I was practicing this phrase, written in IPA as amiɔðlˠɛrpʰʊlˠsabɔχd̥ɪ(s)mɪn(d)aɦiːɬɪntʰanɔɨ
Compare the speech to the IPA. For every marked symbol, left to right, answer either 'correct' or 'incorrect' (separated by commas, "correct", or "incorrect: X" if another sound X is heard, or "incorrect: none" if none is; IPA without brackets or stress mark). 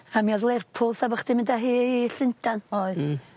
incorrect: none, correct